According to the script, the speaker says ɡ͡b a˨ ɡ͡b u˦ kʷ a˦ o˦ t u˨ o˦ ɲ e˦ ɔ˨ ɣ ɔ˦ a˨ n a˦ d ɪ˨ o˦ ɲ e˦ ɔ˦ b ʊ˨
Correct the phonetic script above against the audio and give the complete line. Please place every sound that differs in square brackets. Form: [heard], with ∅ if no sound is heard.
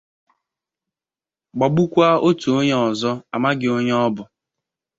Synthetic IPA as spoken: ɡ͡b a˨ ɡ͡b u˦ kʷ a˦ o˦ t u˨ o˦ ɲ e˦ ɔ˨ [z] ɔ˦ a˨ [m] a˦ [ɡ] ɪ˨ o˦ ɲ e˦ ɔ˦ b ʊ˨